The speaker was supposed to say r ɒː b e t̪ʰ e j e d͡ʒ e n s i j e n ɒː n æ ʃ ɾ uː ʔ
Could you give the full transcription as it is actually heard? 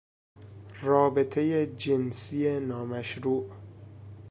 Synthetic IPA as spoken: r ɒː b e t̪ʰ e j e d͡ʒ e n s i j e n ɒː m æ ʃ ɾ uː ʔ

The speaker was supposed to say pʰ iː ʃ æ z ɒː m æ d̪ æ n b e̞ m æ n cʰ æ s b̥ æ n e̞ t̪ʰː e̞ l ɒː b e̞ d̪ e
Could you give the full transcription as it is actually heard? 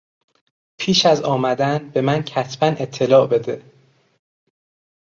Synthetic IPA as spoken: pʰ iː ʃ æ z ɒː m æ d̪ æ n b e̞ m æ n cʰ æ s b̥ æ n e̞ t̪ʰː e̞ l ɒː b e̞ d̪ e

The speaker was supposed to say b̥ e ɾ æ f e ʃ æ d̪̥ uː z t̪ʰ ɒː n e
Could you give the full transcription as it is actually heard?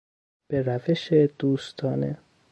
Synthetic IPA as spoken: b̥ e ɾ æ v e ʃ e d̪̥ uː s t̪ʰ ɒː n e

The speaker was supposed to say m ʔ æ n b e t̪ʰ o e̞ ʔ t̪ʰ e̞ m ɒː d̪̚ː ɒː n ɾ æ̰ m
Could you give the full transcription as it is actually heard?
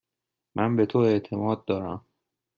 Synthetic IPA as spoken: m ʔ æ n b e t̪ʰ o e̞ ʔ t̪ʰ e̞ m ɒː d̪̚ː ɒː ɾ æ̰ m

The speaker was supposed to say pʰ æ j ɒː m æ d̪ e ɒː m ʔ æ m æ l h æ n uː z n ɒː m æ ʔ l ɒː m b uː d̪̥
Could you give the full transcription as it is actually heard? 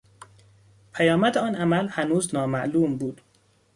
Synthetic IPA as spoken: pʰ æ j ɒː m æ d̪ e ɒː n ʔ æ m æ l h æ n uː z n ɒː m æ ʔ l uː m b uː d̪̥

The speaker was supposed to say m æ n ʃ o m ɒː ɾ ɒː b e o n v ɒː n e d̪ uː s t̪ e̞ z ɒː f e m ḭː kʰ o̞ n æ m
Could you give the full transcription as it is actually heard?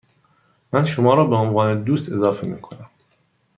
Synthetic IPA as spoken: m æ n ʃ o m ɒː ɾ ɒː b e o n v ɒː n e d̪ uː s t̪ e̞ z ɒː f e m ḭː kʰ o̞ n æ m

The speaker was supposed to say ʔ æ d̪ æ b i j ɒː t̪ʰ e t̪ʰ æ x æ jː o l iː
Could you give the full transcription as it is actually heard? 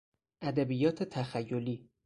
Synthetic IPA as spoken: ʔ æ d̪ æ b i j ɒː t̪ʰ e t̪ʰ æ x æ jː o l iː

